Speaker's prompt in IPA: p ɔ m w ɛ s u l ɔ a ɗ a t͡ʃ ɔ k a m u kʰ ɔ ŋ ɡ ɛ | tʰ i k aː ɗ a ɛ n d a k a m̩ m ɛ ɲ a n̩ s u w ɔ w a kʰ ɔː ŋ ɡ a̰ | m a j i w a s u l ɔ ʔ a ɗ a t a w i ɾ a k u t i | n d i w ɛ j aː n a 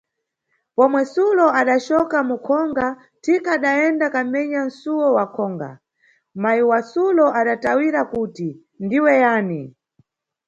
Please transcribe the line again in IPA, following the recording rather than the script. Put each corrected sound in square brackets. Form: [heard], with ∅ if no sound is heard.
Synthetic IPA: p ɔ m w ɛ s u l ɔ a ɗ a t͡ʃ ɔ k a m u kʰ ɔ ŋ ɡ [a] | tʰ i k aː ɗ a ɛ n d a k a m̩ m ɛ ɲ a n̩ s u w ɔ w a kʰ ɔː ŋ ɡ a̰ | m a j i w a s u l ɔ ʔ a ɗ a t a w i ɾ a k u t i | n d i w ɛ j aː n [i]